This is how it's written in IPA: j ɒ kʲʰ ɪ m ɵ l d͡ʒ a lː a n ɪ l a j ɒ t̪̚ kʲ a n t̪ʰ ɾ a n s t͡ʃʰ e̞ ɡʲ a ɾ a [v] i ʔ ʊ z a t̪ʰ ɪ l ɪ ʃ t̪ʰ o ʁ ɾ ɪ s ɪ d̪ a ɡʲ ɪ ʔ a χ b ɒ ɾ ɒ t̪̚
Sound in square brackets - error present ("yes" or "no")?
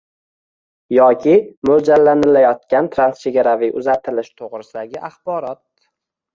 no